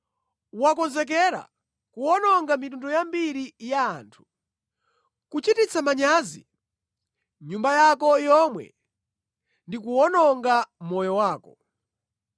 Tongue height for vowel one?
low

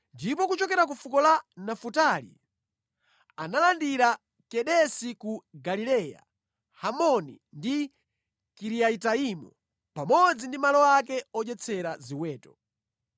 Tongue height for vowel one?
high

